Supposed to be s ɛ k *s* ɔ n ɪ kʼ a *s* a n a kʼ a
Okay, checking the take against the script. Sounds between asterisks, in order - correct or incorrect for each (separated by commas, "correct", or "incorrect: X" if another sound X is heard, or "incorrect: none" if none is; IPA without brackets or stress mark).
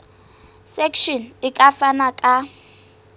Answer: incorrect: ʃ, incorrect: f